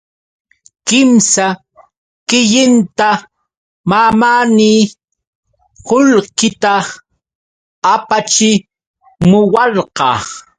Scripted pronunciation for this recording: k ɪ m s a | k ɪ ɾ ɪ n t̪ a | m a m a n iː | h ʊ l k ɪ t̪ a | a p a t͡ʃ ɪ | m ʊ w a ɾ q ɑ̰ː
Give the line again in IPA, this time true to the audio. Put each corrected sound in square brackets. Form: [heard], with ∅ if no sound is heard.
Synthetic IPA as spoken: k ɪ m s a | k ɪ [ʎ] ɪ n t̪ a | m a m a n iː | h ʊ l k ɪ t̪ a | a p a t͡ʃ ɪ | m ʊ w [ɑ] ɾ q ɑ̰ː